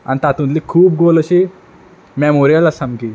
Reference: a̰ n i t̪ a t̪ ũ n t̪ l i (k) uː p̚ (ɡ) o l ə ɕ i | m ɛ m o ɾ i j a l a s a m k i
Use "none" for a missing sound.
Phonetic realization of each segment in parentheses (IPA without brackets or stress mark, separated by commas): kʰ, ɡ